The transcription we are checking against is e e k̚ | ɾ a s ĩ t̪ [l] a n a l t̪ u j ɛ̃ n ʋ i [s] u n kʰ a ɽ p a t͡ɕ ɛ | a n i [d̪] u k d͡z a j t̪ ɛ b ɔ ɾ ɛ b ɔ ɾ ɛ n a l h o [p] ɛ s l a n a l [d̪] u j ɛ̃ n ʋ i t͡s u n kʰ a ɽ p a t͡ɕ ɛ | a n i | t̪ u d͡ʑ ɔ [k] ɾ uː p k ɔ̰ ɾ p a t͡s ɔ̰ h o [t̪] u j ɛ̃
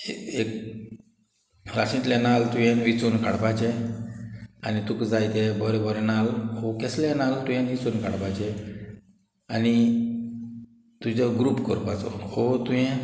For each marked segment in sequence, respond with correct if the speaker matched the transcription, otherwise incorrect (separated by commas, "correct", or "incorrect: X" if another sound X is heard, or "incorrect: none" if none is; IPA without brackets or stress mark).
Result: correct, incorrect: t͡s, incorrect: t̪, incorrect: k, incorrect: t̪, incorrect: ɡ, correct